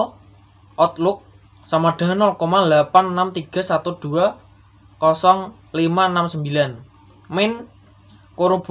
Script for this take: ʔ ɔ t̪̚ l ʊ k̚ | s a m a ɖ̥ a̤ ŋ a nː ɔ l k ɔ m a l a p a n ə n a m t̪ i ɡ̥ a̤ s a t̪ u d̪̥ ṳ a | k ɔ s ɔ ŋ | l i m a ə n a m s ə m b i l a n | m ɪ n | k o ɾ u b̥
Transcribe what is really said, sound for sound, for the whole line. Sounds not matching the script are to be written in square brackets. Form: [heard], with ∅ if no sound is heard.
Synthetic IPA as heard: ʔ ɔ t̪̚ l ʊ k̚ | s a m a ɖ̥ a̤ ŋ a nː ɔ l k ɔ m a l a p a n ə n a m t̪ i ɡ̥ a̤ s a t̪ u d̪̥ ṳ a | k ɔ s ɔ ŋ | l i m a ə n a m s ə m b i l a n | m ɪ n | k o ɾ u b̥